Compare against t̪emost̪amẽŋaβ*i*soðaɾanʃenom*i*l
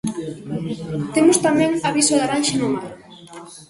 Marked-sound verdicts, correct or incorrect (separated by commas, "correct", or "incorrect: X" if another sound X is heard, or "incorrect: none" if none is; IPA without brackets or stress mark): correct, incorrect: a